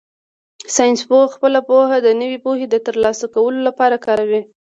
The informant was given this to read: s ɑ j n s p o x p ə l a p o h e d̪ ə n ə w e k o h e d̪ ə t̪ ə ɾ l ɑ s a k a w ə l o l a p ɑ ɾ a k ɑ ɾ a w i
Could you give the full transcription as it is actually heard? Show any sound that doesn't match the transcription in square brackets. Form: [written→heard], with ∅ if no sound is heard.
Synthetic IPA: s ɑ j n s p o x p ə l a p o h [e→a] d̪ ə n ə w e [k→p] o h e d̪ ə t̪ ə ɾ l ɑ s a k a w ə l o l a p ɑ ɾ a k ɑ ɾ a w i